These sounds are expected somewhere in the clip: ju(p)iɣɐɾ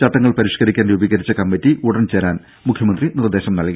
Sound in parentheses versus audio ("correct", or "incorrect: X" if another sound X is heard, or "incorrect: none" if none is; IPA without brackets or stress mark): incorrect: b